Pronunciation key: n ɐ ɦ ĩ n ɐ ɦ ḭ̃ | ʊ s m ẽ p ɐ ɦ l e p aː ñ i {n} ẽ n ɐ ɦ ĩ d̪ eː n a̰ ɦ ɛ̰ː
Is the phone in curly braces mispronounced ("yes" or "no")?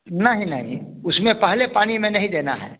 yes